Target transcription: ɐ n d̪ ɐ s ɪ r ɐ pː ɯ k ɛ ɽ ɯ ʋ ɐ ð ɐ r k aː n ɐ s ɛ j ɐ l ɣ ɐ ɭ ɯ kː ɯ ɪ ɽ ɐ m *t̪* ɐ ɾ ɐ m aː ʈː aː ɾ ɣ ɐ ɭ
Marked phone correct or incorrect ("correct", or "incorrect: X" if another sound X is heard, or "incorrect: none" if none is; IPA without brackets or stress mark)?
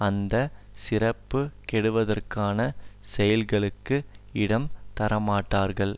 correct